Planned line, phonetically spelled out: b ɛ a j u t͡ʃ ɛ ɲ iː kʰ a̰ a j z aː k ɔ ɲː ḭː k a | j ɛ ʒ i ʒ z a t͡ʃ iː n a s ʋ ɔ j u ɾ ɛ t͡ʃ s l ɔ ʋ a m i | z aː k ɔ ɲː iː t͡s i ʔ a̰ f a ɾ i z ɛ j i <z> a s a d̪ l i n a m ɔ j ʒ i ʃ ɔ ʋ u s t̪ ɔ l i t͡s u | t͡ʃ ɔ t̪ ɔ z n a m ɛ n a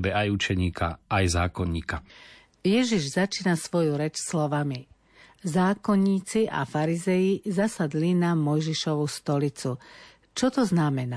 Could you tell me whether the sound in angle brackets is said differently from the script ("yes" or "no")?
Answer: no